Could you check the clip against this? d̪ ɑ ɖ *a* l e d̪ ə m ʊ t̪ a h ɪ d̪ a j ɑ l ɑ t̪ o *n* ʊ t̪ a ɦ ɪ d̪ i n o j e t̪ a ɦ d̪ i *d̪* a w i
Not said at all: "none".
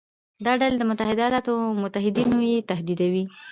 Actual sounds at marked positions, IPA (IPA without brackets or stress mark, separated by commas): a, m, d̪